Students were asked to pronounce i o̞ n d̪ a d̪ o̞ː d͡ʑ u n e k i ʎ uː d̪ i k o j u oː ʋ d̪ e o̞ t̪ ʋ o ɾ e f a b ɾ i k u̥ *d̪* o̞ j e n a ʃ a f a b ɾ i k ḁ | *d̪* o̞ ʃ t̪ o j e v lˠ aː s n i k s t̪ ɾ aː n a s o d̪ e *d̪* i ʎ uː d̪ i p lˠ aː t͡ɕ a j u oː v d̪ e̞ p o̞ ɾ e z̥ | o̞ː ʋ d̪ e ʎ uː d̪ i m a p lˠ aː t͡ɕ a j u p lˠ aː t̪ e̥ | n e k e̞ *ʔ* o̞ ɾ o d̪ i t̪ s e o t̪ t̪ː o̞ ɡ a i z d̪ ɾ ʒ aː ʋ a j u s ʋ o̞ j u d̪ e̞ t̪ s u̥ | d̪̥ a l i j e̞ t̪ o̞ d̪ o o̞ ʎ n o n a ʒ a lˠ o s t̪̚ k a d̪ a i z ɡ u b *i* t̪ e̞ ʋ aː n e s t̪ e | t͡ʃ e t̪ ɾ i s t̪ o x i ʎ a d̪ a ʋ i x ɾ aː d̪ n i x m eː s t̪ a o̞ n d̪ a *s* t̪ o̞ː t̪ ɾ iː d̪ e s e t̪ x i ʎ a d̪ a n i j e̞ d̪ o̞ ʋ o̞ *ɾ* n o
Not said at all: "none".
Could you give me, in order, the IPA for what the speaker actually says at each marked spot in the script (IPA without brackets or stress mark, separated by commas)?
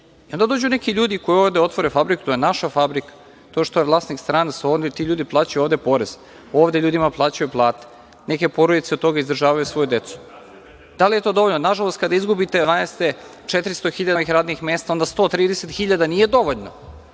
t̪, t̪, t̪, p, i, s, ʎ